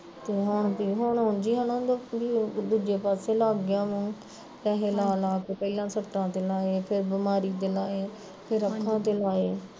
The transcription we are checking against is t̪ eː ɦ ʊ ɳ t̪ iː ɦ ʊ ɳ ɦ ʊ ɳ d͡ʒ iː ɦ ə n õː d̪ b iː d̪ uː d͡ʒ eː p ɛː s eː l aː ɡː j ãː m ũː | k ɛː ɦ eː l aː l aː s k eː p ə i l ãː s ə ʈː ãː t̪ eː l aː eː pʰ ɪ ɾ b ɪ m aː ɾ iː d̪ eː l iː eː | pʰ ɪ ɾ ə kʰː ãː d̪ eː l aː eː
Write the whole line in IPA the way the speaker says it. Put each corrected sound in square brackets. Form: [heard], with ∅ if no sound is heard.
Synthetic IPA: t̪ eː ɦ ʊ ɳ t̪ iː ɦ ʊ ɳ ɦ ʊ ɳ d͡ʒ iː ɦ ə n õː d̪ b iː d̪ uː d͡ʒ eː p [aː] s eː l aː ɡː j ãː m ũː | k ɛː ɦ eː l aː l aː [∅] k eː p ə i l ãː s ə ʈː ãː t̪ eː l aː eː pʰ ɪ ɾ b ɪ m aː ɾ iː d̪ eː l [aː] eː | pʰ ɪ ɾ ə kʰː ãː [t̪] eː l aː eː